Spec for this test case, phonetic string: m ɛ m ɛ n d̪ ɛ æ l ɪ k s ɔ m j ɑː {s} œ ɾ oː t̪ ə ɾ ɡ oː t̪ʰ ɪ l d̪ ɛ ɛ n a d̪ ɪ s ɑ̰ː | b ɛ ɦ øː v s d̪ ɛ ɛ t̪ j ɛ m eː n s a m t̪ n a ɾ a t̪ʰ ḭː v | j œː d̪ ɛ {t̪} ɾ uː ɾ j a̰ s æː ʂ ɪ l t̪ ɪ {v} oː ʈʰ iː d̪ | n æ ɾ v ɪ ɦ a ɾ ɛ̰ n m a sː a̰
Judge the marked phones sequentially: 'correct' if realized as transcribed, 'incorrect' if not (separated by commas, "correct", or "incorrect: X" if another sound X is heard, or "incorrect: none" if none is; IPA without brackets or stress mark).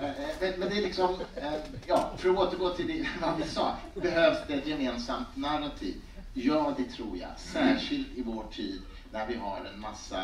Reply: incorrect: f, incorrect: t̪ʰ, correct